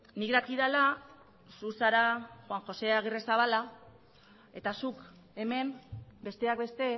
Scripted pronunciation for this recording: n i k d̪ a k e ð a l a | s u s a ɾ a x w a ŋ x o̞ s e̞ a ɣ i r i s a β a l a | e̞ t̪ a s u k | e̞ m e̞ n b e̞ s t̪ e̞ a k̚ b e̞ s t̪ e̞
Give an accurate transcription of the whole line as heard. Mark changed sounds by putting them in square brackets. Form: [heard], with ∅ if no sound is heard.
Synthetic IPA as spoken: n i k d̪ a k [i] ð a l a | s u s a ɾ a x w a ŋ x o̞ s e̞ a ɣ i r [e] s a β a l a | e̞ t̪ a s u k | e̞ m e̞ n b e̞ s t̪ e̞ a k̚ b e̞ s t̪ e̞